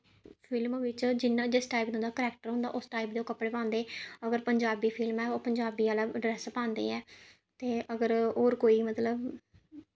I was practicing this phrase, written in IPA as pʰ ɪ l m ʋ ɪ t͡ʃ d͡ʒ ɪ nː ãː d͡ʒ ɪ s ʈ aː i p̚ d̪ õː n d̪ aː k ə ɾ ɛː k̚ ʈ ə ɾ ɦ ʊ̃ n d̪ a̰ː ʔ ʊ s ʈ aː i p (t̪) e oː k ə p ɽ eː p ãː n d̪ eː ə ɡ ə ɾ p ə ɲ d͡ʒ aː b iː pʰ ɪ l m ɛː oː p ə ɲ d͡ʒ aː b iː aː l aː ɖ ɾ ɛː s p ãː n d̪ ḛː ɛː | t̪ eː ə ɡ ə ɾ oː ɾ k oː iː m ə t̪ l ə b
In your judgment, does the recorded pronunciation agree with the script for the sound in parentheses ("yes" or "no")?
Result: no